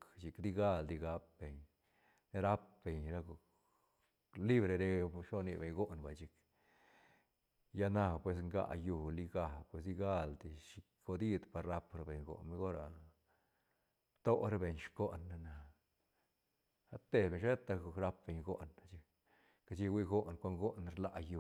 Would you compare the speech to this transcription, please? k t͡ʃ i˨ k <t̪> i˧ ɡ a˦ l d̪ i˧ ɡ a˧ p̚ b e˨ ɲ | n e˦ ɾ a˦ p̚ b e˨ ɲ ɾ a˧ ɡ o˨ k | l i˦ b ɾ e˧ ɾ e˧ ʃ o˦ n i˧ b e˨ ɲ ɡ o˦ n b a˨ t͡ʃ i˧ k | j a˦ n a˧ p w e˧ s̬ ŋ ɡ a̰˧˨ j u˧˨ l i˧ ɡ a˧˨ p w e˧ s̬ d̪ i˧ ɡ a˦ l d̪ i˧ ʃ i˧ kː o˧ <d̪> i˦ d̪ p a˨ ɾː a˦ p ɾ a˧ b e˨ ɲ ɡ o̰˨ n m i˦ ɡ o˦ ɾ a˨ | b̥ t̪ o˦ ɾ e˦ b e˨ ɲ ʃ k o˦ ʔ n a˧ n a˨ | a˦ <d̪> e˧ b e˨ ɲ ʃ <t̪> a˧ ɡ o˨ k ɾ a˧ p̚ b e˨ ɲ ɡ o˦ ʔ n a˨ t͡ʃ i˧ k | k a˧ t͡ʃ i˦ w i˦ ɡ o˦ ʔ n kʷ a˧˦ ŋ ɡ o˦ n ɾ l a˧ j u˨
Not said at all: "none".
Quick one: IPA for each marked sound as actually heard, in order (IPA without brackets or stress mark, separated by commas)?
d̪, d̪, t̪, t̪